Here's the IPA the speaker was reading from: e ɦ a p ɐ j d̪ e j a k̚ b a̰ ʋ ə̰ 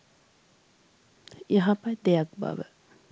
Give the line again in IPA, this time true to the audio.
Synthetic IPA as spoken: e ɦ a p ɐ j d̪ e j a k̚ b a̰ ʋ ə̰